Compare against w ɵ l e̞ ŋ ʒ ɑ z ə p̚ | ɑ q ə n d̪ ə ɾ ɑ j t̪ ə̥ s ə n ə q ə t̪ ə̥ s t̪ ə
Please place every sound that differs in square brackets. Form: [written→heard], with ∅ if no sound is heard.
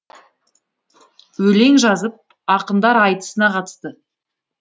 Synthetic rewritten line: w ɵ l e̞ ŋ ʒ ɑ z ə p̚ | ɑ q ə n d̪ [ə→ɑ] ɾ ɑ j t̪ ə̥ s ə n [ə→ɑ] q [ə→ɑ] t̪ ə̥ s t̪ ə